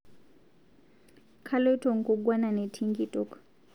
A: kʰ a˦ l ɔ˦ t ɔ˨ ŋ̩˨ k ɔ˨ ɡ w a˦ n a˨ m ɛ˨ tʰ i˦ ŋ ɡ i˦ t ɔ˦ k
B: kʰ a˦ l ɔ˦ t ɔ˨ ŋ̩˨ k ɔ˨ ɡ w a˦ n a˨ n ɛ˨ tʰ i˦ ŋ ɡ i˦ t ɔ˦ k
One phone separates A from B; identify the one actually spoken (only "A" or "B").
B